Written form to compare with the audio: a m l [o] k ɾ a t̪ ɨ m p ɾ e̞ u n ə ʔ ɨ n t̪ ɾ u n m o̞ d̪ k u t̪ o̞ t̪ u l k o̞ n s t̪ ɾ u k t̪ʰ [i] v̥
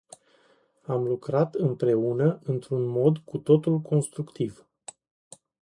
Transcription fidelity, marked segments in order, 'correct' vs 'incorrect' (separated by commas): incorrect, correct